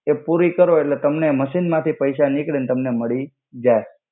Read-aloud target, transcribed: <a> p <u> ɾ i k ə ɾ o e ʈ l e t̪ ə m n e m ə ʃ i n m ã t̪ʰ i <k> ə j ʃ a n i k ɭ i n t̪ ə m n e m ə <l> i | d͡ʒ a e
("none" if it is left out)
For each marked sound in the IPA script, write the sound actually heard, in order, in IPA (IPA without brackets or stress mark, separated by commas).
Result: e, u, p, ɭ